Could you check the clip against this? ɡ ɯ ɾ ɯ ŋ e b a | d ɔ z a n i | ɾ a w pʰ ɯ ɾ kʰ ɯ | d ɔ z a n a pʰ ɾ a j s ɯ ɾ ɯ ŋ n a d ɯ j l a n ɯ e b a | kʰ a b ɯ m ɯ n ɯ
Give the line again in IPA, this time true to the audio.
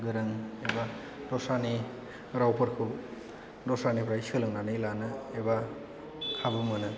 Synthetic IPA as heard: ɡ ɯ ɾ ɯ ŋ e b a | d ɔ s a n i | ɾ a w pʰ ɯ ɾ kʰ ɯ | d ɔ s a n i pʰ ɾ a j s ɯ l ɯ ŋ n a n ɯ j l a n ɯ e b a | kʰ a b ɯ m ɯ n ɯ

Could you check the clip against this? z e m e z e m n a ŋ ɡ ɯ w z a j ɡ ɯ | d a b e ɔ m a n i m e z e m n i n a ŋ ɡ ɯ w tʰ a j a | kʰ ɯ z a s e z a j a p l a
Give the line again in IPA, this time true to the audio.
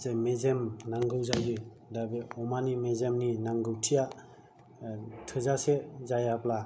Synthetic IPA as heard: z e m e z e m n a ŋ ɡ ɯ w z a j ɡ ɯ | d a b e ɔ m a n i m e z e m n i n a ŋ ɡ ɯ w tʰ i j a | tʰ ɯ z a s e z a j a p l a

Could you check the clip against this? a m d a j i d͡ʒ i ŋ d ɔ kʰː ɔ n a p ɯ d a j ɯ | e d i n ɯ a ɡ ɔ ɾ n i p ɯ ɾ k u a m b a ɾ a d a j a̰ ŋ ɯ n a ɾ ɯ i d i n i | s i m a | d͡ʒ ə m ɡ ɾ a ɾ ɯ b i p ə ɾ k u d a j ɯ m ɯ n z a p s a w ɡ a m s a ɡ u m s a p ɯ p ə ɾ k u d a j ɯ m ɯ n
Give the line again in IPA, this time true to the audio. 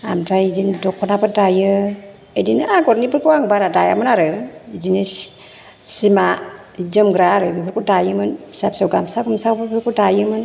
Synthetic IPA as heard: a m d a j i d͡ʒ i n d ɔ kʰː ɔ n a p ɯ d a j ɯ | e d i n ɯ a ɡ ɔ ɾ n i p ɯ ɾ k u a ŋ b a ɾ a d a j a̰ m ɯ n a ɾ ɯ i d i n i | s i m a | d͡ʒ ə m ɡ ɾ a ɾ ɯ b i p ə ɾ k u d a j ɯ m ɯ n s a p s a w ɡ a m s a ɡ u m s a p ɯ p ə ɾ k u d a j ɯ m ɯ n

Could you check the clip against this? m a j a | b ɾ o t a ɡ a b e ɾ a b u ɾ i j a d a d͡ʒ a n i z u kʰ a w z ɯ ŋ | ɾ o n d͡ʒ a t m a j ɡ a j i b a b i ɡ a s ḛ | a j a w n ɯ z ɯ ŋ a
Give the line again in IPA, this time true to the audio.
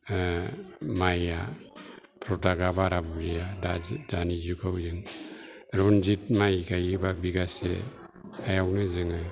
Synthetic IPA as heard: m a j a | p ɾ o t a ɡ a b a ɾ a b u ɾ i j a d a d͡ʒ a n i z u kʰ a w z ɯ ŋ | ɾ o n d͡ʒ i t m a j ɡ a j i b a b i ɡ a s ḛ | a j a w n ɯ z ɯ ŋ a

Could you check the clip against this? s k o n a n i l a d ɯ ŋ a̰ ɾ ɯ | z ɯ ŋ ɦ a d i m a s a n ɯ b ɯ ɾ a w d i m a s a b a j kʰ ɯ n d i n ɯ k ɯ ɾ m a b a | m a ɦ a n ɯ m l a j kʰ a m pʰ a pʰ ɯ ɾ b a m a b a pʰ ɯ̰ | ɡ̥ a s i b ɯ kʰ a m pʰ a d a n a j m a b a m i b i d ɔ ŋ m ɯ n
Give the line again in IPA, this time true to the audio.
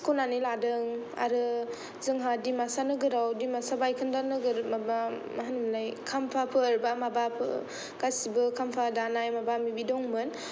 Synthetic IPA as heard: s k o n a n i l a d ɯ ŋ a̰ ɾ ɯ | z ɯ ŋ ɦ a d i m a s a n ɯ ɡ ɯ ɾ a w d i m a s a b a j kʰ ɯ n d a n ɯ ɡ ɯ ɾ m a b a | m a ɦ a n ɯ m l a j kʰ a m pʰ a pʰ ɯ ɾ b a m a b a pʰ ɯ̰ | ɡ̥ a s i b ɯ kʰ a m pʰ a d a n a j m a b a m i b i d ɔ ŋ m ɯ n

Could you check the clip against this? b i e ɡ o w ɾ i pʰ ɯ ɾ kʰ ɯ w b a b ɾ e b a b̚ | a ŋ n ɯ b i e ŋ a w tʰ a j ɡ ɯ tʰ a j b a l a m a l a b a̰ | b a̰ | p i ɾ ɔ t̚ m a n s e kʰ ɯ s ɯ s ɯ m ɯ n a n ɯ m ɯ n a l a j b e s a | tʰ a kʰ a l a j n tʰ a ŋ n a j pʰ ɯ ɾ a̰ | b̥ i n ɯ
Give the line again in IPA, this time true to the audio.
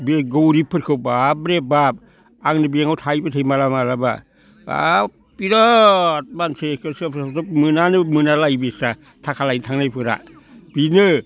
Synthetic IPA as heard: b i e ɡ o w ɾ i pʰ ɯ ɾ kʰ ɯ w b a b ɾ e b a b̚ | a ŋ n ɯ b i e ŋ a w tʰ a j b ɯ tʰ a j m a l a m a l a b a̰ | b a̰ | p i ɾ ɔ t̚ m a n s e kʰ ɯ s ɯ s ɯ m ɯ n a n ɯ m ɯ n a l a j b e s a | tʰ a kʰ a l a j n tʰ a ŋ n a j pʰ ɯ ɾ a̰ | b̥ i n ɯ

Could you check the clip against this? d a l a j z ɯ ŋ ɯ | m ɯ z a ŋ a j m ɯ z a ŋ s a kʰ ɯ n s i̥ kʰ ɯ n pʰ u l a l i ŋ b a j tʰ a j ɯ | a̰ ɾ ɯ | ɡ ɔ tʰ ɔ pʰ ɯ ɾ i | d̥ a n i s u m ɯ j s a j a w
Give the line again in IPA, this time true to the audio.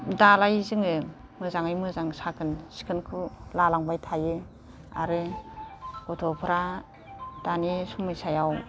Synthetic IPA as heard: d a l a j z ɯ ŋ ɯ | m ɯ z a ŋ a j m ɯ z a ŋ s a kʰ ɯ n s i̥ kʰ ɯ n kʰ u l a l a ŋ b a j tʰ a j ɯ | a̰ ɾ ɯ | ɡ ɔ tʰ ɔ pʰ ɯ ɾ a | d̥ a n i s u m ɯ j s a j a w

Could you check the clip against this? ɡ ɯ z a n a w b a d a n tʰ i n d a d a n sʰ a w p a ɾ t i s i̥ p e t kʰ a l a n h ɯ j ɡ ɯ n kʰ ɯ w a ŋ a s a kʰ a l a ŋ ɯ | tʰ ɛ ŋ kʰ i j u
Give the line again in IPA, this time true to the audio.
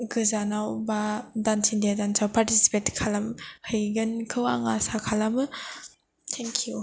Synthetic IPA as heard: ɡ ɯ z a n a w b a d a n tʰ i n d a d a n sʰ a w p a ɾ t i s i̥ p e t kʰ a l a m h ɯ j ɡ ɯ n kʰ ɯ w a ŋ a s a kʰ a l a m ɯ | tʰ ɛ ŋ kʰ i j u

